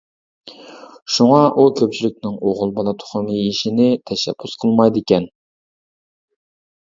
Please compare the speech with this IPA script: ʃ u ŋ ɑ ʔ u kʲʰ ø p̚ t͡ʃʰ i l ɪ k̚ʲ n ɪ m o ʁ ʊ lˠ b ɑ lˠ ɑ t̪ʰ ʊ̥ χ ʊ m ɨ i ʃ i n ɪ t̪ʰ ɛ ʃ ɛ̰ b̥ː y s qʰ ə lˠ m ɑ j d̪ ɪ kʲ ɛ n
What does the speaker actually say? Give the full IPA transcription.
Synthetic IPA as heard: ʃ u ŋ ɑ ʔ u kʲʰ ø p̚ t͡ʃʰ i l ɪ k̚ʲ n ɪ ŋ o ʁ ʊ lˠ b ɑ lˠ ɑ t̪ʰ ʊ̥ χ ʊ m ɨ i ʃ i n ɪ t̪ʰ ɛ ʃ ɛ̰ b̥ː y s qʰ ə lˠ m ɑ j d̪ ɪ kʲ ɛ n